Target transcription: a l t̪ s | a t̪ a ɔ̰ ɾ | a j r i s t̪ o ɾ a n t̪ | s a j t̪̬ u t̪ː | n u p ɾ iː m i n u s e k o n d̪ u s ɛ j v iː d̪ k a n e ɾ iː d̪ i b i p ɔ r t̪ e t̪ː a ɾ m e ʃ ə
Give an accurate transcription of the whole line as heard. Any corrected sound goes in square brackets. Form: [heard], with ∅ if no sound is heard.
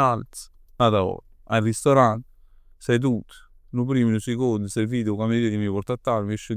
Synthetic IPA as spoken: a l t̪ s | a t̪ a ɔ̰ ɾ | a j r i s t̪ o ɾ a n t̪ | s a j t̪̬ u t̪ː | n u p ɾ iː m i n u s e k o n d̪ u s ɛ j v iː d̪ k a [m] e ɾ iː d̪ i [m] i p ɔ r t̪ [a] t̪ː a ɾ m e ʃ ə